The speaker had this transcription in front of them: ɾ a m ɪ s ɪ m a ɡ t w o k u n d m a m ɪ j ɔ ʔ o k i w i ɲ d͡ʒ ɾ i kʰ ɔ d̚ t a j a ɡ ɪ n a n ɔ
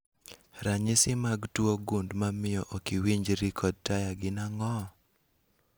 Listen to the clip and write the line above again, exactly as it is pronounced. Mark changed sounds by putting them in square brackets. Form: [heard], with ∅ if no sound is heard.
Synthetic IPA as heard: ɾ a [ɲ] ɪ s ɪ m a ɡ t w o [ɡ] u n d m a m ɪ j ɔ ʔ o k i w i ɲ d͡ʒ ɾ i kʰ ɔ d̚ t a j a ɡ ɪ n a [ŋ] ɔ